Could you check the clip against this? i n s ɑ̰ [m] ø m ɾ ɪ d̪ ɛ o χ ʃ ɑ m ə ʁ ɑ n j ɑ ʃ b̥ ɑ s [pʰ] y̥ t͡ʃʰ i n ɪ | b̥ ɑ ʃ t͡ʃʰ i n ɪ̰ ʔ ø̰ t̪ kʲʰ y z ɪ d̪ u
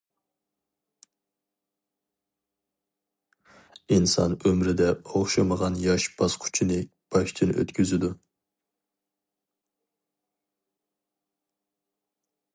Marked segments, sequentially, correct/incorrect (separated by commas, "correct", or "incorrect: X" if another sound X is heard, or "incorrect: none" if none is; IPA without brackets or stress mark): incorrect: n, incorrect: qʰ